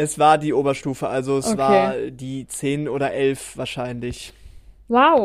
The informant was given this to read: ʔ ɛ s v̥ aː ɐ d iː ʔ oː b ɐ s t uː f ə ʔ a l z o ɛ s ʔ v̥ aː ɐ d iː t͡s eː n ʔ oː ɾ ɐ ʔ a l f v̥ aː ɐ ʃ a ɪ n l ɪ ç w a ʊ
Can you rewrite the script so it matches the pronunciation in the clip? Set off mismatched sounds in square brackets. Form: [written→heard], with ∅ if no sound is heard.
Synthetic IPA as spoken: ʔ ɛ s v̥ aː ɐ d iː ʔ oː b ɐ [s→ʃ] t uː f ə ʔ a l z o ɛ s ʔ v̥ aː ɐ d iː t͡s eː n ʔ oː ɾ ɐ ʔ [a→ɛ] l f v̥ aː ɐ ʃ a ɪ n l ɪ ç w a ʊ